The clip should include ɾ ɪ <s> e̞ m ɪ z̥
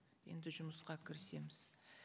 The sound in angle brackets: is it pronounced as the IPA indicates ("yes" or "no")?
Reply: yes